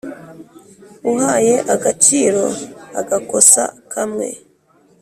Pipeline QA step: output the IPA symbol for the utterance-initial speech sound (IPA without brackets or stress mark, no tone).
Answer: u